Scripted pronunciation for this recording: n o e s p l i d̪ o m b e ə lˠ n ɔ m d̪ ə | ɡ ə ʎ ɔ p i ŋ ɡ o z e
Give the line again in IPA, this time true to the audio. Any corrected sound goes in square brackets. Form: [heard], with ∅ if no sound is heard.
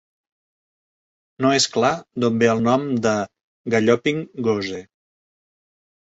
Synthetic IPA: n o e s [k] l [a] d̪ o m b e ə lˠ n ɔ m d̪ ə | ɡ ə ʎ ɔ p i ŋ ɡ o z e